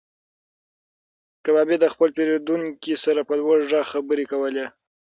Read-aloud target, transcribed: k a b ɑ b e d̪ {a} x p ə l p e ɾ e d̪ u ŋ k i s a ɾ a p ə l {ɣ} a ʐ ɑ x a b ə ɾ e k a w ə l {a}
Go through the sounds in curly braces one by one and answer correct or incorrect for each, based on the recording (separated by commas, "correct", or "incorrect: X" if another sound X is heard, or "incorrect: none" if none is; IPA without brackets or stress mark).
incorrect: ə, incorrect: w, incorrect: e